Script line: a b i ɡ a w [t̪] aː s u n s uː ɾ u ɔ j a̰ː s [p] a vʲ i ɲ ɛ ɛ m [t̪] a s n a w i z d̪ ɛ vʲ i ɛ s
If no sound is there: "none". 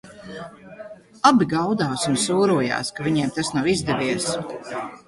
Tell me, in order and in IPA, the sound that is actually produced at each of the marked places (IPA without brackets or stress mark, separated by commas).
d̪, k, t̪